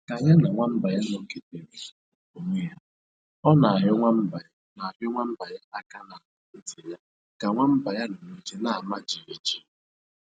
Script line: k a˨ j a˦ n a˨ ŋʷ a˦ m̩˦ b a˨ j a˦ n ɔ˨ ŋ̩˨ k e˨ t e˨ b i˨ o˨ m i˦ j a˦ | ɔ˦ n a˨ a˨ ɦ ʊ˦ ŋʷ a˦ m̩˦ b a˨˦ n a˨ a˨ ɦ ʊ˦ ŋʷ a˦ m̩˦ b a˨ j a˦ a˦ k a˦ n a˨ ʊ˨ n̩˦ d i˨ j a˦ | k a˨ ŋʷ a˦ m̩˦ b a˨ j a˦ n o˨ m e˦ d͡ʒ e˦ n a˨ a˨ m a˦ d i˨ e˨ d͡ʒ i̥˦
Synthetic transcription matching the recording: k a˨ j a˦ n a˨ ŋʷ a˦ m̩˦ b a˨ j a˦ n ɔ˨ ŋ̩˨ k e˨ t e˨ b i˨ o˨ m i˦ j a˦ | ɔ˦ n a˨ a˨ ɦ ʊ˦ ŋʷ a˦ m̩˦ b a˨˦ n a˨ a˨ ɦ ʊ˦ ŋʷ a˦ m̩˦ b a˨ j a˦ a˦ k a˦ n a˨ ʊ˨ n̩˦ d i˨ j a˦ | k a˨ ŋʷ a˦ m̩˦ b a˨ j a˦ n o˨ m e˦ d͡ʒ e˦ n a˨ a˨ m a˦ d͡ʒ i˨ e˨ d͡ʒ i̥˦